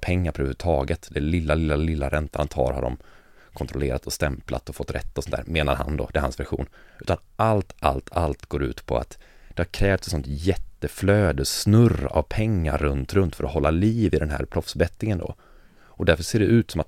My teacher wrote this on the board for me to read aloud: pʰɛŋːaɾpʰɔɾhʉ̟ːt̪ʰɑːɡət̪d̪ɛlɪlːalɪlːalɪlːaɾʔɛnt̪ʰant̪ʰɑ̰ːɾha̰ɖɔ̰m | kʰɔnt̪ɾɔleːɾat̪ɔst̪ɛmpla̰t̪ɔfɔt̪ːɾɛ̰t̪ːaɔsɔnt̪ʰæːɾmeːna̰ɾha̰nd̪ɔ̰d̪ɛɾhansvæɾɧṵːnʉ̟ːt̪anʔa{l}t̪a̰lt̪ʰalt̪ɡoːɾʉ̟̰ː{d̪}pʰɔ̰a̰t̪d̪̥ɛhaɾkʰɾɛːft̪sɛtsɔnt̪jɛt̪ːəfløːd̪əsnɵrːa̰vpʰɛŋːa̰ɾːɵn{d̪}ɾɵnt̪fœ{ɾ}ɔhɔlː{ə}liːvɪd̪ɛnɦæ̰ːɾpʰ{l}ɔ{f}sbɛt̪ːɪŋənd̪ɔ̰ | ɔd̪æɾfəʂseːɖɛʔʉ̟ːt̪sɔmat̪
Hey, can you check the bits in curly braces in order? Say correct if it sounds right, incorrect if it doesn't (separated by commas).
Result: correct, incorrect, incorrect, correct, incorrect, incorrect, correct